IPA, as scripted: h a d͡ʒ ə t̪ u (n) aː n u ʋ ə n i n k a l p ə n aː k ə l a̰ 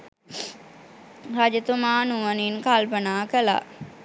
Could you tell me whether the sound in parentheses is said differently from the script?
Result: yes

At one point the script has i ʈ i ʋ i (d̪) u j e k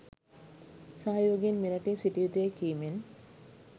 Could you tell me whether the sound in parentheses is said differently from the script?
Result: yes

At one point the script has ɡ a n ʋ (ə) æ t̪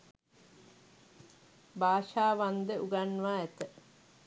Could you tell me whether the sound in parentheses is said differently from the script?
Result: yes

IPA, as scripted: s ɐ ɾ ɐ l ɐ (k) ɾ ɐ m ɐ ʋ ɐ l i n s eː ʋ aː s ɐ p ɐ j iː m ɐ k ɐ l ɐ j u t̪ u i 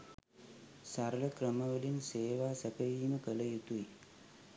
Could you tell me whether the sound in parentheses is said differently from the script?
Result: no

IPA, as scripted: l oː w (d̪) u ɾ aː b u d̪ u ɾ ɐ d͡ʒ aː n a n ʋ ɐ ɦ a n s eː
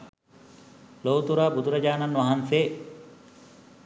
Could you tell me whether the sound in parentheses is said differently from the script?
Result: yes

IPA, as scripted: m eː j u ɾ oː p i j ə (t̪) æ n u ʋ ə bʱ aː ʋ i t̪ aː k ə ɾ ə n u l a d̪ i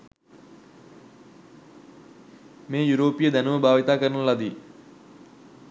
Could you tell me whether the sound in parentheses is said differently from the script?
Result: yes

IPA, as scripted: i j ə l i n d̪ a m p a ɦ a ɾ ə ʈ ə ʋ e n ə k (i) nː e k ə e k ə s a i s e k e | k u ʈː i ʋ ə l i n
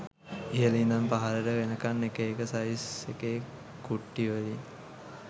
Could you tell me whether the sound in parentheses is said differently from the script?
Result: yes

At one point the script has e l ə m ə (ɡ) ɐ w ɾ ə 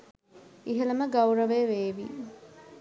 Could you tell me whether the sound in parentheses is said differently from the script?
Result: no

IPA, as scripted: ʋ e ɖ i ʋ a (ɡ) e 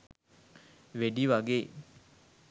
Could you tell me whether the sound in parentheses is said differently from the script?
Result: no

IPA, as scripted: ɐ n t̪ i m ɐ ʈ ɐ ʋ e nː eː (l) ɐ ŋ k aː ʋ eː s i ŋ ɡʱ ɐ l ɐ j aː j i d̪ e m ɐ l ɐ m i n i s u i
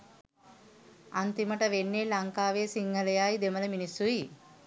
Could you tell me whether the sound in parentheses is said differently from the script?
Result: no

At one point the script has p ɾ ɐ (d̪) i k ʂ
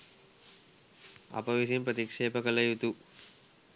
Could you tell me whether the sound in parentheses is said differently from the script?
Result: yes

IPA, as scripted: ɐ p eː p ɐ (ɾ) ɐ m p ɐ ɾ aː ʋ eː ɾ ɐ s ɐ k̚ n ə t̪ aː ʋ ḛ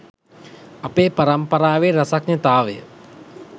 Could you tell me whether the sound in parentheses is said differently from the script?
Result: no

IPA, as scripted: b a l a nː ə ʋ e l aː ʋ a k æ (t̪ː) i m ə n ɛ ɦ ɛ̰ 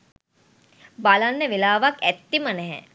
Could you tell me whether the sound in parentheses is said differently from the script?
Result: no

